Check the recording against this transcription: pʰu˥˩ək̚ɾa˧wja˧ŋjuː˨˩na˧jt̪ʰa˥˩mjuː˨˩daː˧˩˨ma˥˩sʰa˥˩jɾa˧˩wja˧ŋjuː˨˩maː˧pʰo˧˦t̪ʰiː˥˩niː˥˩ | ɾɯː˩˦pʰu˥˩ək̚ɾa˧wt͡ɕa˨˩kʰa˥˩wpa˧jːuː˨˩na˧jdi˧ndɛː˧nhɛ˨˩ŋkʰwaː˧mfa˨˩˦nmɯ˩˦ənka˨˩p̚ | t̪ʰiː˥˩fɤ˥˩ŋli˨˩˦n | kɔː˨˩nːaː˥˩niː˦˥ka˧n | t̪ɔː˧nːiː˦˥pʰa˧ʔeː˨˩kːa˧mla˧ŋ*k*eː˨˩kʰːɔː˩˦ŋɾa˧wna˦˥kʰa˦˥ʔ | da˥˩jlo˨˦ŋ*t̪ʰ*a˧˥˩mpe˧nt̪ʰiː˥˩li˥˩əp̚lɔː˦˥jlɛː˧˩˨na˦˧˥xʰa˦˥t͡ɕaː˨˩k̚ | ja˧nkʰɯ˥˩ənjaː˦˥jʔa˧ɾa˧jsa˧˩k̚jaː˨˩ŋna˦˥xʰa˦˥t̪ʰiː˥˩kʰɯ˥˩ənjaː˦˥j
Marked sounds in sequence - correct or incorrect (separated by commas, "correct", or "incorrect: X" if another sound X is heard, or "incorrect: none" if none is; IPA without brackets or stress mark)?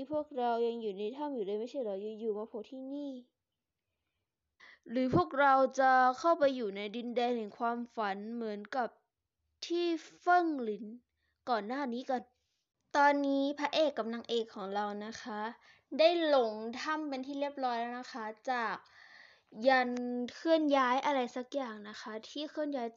incorrect: ʔ, correct